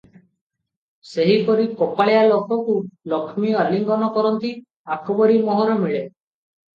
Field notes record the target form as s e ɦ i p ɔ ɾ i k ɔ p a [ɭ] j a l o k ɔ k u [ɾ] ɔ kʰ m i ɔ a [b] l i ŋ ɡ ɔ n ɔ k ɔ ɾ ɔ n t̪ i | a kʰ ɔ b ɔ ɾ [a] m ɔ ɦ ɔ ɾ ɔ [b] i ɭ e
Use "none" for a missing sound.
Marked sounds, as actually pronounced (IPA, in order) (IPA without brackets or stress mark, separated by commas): ɭ, l, none, i, m